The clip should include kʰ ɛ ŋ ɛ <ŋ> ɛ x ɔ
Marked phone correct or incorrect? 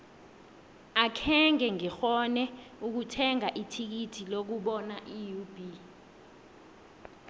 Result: correct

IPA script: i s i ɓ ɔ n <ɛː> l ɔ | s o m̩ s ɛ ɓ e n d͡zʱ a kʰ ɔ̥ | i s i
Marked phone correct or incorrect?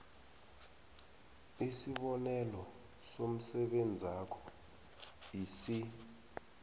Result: incorrect: ɛ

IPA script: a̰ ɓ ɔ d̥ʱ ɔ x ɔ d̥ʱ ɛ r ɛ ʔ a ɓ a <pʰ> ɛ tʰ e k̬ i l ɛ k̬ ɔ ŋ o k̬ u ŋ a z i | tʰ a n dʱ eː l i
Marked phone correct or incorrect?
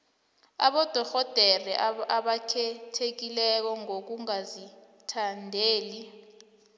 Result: incorrect: kʰ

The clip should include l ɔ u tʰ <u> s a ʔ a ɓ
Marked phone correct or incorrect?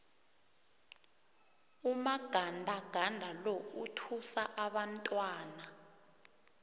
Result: correct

